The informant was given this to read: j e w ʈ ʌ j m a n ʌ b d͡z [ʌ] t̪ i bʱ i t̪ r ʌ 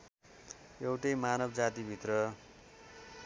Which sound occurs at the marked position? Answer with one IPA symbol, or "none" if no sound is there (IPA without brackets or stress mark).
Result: a